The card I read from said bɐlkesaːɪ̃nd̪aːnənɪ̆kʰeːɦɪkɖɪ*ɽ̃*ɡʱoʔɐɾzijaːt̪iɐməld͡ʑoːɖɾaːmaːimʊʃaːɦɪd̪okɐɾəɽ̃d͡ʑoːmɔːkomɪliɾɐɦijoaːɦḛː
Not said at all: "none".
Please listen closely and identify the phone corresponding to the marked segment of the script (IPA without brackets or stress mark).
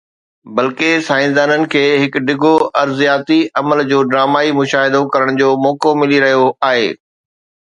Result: none